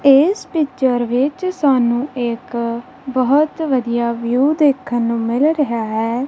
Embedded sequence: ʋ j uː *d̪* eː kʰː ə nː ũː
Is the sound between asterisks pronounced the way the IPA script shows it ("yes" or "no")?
yes